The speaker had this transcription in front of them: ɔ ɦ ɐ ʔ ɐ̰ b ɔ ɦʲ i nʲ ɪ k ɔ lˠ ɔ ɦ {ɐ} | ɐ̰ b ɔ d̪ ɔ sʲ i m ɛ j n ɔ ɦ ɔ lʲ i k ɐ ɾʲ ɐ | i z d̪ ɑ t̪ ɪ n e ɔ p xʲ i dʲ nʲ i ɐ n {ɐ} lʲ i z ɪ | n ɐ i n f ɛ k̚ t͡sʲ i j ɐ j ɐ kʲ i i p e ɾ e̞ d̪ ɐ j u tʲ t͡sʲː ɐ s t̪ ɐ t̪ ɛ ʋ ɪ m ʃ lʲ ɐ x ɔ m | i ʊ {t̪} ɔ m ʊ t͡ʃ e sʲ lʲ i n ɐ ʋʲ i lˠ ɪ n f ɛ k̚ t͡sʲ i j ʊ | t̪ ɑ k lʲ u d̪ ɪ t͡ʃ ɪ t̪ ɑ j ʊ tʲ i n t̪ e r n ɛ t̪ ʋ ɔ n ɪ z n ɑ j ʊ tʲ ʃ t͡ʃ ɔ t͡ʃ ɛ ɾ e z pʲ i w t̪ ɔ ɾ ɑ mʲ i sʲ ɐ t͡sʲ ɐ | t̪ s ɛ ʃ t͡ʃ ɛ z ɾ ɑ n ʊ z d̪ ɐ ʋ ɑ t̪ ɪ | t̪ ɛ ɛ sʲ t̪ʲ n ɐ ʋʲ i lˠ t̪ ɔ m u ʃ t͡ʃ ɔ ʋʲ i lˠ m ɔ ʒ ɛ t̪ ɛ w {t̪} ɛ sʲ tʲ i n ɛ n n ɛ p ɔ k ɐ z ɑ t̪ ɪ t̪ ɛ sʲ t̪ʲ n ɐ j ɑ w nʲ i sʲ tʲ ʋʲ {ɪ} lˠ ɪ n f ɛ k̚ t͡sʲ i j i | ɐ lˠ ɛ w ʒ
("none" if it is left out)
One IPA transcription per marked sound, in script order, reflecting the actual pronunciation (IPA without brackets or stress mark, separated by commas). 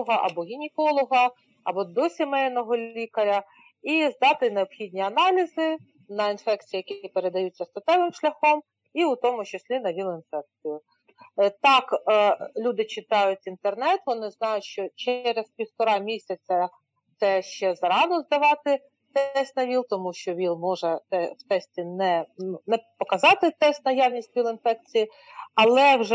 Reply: ɐ, ɑ, t̪, t̪, i